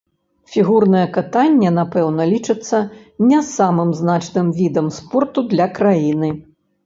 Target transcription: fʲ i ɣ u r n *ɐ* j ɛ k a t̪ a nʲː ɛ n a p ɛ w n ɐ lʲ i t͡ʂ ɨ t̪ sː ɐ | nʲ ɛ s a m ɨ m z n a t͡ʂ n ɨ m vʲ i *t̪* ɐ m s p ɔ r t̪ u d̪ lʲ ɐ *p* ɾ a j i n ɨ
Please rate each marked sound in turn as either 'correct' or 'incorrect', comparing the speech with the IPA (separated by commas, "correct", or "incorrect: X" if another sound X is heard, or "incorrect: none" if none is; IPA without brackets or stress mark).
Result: correct, incorrect: d̪, incorrect: k